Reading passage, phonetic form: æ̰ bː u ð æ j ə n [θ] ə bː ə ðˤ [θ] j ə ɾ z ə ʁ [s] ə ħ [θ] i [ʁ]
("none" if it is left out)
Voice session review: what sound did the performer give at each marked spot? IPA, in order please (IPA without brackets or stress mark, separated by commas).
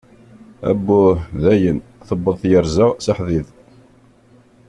θ, θ, s, ð, ð